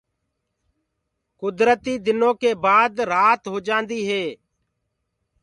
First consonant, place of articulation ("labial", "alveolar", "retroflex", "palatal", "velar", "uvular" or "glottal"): velar